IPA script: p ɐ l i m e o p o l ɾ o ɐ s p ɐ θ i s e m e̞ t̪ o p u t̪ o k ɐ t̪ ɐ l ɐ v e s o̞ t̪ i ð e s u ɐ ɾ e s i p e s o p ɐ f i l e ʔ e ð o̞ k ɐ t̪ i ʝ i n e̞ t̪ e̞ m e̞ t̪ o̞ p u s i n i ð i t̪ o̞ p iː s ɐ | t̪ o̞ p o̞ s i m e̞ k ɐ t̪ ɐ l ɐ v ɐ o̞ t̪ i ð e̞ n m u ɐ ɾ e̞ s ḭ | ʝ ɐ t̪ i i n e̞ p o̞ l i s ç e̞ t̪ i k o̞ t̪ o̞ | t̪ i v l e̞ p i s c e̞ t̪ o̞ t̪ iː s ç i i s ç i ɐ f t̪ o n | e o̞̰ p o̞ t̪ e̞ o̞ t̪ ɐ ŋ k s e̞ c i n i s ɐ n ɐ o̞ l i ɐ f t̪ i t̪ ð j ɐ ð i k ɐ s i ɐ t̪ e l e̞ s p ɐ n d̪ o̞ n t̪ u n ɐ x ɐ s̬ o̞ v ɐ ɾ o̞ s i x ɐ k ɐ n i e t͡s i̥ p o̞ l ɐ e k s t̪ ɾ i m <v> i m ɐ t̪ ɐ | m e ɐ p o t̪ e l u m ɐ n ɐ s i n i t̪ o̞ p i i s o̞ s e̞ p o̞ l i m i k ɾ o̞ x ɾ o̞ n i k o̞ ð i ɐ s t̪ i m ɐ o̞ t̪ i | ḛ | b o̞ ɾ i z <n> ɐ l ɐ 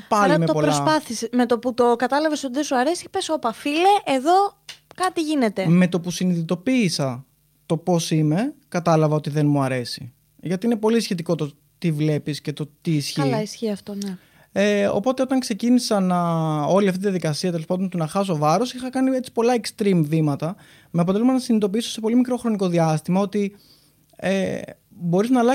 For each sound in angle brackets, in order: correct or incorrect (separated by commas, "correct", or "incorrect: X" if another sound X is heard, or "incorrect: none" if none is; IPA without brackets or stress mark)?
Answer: correct, correct